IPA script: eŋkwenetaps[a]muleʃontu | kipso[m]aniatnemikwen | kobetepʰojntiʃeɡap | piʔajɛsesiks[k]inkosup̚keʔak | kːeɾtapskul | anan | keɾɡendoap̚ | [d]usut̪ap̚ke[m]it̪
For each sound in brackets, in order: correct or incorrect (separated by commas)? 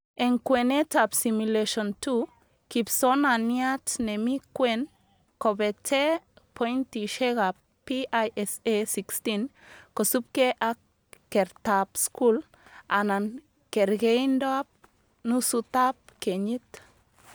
incorrect, incorrect, incorrect, incorrect, incorrect